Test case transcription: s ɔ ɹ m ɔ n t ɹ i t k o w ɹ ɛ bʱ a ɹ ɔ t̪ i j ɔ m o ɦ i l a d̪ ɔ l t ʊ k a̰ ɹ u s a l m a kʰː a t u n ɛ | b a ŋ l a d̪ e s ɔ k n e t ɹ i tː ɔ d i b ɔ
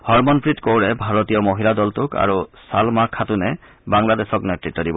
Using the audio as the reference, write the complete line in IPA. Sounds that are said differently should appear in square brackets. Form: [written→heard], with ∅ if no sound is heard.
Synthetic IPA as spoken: [s→h] ɔ ɹ m ɔ n [t→p] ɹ i t k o w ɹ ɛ bʱ a ɹ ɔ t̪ i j ɔ m o ɦ i l a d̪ ɔ l t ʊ k a̰ ɹ u s a l m a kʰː a t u n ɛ | b a ŋ l a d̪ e s ɔ k n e t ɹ i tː ɔ d i b ɔ